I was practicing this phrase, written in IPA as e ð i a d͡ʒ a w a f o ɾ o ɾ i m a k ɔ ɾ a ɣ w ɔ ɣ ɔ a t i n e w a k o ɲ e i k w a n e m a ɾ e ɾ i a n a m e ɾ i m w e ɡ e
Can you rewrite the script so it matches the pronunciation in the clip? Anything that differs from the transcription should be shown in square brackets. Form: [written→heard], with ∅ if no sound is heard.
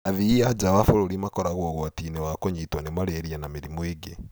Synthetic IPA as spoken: [e→a] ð i a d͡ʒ a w a f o ɾ o ɾ i m a k ɔ ɾ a ɣ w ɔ ɣ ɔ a t i n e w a k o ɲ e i [k→t] w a n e m a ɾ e ɾ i a n a m e ɾ i m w e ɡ e